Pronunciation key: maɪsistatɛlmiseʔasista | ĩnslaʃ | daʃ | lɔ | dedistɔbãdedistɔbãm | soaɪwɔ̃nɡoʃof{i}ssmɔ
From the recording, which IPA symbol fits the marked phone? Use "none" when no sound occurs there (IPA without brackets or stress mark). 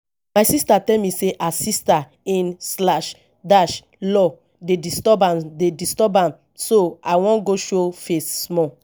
e